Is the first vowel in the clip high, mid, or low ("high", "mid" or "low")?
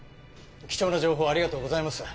high